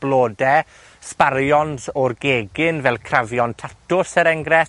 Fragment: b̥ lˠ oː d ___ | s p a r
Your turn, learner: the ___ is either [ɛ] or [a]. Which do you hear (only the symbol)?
ɛ